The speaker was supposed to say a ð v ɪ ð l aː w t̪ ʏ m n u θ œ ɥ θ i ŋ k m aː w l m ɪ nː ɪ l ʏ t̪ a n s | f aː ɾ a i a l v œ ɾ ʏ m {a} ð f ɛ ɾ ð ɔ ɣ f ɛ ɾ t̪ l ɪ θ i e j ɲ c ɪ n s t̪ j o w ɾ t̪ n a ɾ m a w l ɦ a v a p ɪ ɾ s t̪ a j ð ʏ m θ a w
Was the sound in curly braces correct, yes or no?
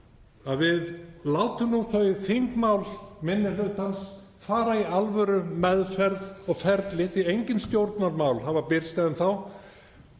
no